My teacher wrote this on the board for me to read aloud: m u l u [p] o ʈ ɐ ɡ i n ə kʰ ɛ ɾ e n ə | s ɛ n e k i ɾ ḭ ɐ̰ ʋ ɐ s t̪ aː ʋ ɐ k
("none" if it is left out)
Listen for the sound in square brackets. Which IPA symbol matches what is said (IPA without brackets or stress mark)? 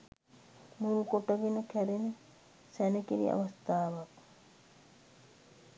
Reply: k